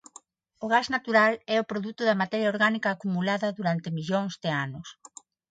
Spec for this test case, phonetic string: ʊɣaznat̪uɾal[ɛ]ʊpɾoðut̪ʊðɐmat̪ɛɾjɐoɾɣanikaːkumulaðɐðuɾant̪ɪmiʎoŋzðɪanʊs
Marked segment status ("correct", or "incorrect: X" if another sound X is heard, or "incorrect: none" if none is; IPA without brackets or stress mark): correct